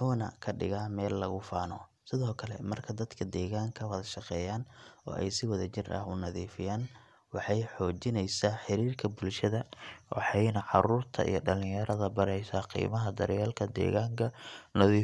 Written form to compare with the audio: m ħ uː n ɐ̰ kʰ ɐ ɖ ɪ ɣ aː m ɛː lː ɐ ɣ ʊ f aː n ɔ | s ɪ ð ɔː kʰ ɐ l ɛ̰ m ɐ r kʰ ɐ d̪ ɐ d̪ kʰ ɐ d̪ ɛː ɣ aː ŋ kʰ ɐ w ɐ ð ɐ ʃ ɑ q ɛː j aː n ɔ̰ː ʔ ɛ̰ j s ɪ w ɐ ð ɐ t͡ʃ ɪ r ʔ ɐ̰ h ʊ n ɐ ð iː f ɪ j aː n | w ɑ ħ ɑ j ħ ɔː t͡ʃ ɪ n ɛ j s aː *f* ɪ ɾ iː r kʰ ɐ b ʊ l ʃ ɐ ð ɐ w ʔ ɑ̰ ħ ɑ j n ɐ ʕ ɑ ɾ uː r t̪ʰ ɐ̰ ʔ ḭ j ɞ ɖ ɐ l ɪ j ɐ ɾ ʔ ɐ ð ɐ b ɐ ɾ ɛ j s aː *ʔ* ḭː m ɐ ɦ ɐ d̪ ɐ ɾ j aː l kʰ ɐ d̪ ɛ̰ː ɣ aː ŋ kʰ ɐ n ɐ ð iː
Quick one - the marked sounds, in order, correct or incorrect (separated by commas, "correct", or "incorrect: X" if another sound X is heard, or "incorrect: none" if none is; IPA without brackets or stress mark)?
incorrect: ħ, incorrect: q